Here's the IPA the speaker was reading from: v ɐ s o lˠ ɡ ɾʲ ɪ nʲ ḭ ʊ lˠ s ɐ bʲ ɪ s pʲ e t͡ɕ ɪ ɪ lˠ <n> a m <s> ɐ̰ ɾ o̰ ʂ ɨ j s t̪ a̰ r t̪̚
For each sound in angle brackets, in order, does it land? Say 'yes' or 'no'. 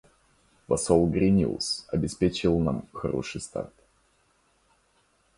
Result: yes, no

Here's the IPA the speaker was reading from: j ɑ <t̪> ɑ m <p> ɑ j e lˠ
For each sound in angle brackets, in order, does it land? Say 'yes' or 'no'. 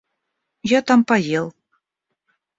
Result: yes, yes

